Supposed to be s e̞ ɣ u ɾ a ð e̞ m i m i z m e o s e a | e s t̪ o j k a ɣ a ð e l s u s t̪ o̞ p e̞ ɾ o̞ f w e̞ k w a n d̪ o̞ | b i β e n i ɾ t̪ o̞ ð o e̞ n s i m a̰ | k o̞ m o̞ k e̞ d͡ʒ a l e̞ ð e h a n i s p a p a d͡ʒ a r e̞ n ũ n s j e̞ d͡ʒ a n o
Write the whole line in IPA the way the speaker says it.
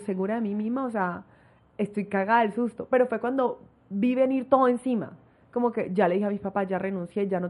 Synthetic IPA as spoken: s e̞ ɣ u ɾ a ð e̞ m i m i z m a o s e a | e s t̪ o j k a ɣ a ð e l s u s t̪ o̞ p e̞ ɾ o̞ f w e̞ k w a n d̪ o̞ | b i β e n i ɾ t̪ o̞ ð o e̞ n s i m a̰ | k o̞ m o̞ k e̞ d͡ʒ a l e̞ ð i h a m i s p a p a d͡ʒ a r e̞ n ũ n s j e̞ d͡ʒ a n o